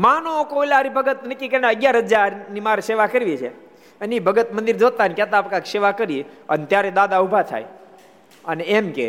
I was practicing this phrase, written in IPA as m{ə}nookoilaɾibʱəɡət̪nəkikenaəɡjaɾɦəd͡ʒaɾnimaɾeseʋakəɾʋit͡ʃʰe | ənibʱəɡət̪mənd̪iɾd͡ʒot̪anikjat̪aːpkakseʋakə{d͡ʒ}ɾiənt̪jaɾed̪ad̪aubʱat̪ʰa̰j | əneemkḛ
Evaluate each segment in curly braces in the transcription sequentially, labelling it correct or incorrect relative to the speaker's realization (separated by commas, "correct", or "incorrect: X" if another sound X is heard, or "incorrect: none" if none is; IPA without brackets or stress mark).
incorrect: a, incorrect: none